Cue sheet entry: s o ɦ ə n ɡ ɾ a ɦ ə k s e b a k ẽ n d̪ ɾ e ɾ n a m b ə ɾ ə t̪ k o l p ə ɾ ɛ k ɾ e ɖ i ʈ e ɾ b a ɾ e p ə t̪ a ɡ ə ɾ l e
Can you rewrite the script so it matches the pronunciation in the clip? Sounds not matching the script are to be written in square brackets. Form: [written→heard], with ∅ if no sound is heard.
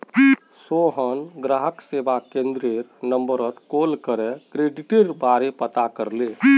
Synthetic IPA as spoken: s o ɦ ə n ɡ ɾ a ɦ ə k s e b a k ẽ n d̪ ɾ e ɾ n [a→ə] m b ə ɾ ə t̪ k o l [p→k] ə ɾ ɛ k ɾ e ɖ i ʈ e ɾ b a ɾ e p ə t̪ a [ɡ→k] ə ɾ l e